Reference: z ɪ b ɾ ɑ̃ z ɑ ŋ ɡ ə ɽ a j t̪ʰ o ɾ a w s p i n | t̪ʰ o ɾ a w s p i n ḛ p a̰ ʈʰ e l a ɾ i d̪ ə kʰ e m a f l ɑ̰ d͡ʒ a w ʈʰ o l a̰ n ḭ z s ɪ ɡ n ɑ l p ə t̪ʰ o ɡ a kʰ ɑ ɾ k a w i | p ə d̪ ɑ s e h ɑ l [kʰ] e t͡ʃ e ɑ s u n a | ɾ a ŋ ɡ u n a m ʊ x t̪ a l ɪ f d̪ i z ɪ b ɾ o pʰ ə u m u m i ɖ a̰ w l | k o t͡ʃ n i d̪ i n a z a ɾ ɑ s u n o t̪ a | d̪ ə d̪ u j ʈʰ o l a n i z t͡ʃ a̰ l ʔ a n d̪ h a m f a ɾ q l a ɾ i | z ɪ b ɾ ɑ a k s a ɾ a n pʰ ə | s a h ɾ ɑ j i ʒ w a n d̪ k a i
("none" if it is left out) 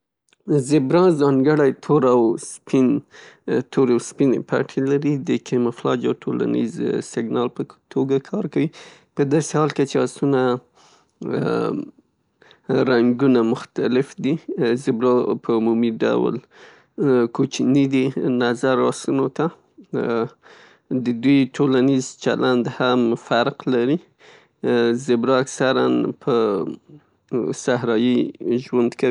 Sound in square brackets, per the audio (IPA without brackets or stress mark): k